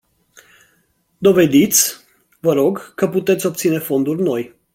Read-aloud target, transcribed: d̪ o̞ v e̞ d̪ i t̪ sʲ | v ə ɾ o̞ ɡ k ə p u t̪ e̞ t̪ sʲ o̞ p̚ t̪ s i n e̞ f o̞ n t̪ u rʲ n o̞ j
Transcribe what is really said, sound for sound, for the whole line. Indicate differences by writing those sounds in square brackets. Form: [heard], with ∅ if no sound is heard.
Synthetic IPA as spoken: d̪ o̞ v e̞ d̪ i t̪ sʲ | v ə ɾ o̞ ɡ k ə p u t̪ e̞ t̪ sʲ o̞ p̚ t̪ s i n e̞ f o̞ n [d̪] u rʲ n o̞ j